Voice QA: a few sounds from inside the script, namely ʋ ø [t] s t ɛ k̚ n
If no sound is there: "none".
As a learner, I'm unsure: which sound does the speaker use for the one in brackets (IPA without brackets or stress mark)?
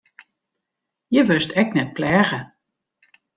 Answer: none